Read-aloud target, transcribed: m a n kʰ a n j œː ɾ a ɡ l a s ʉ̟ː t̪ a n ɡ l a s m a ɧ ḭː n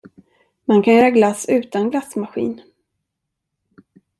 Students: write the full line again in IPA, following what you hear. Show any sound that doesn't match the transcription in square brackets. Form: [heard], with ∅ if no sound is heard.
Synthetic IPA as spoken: m a n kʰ a n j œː ɾ a ɡ l a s ʉ̟ː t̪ a n ɡ l a s m a ɧ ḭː n